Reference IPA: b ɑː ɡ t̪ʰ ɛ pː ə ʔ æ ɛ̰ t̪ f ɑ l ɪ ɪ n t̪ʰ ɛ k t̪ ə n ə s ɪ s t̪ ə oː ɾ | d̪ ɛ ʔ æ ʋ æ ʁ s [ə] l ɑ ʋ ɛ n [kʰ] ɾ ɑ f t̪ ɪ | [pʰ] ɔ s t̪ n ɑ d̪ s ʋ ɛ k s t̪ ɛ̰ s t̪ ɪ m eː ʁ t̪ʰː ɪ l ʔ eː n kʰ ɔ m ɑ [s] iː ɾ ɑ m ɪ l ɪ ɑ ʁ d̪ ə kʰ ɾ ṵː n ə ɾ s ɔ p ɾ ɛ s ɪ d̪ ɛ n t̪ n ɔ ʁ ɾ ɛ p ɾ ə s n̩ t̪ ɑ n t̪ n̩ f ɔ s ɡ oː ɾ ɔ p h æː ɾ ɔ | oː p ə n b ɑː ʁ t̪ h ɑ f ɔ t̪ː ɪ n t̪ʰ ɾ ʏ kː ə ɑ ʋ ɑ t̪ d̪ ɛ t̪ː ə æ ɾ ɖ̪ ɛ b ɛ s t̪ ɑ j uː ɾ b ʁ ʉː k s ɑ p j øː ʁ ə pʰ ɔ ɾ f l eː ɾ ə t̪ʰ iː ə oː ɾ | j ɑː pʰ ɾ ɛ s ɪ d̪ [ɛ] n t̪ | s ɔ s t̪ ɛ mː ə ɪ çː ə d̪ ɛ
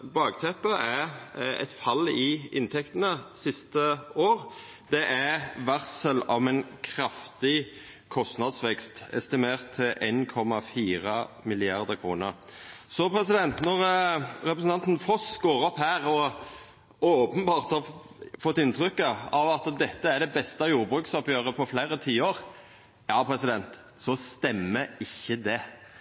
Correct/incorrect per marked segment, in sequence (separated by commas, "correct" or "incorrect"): correct, correct, incorrect, incorrect, correct